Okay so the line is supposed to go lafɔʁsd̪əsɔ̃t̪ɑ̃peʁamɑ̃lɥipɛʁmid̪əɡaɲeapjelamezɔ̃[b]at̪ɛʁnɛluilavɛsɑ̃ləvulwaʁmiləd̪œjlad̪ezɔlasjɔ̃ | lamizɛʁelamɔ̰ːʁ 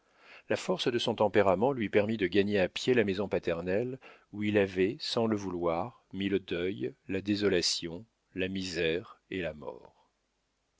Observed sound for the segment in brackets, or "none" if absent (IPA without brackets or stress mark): p